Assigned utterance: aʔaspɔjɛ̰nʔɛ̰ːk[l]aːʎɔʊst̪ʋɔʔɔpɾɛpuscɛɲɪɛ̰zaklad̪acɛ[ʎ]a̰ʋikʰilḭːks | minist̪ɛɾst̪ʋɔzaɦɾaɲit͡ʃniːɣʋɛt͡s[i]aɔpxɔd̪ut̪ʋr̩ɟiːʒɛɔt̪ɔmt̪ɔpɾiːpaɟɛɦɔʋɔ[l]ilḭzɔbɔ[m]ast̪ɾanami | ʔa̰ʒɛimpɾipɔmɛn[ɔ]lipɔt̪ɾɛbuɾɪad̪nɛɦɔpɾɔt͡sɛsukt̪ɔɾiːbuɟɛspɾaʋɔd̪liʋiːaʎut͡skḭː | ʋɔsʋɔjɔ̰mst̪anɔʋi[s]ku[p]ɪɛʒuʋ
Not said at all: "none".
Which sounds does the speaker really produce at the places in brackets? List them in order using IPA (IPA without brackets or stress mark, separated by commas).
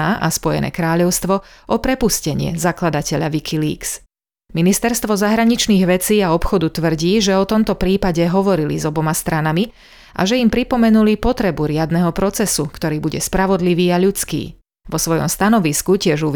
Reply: ɾ, ʎ, iː, ɾ, m, u, s, c